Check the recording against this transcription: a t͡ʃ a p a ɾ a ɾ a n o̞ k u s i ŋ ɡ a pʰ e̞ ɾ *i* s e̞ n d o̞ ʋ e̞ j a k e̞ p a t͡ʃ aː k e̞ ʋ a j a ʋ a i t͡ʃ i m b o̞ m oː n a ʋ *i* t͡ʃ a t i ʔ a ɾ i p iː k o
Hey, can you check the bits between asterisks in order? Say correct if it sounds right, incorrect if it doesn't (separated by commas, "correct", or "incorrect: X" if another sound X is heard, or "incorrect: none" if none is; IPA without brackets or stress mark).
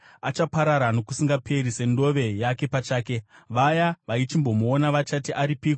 correct, incorrect: a